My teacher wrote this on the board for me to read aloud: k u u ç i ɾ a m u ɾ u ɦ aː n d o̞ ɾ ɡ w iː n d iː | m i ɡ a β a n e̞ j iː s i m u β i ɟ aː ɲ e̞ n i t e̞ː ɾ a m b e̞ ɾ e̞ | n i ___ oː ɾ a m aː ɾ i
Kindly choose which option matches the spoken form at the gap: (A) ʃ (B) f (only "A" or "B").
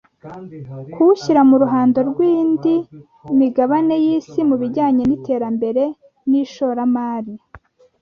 A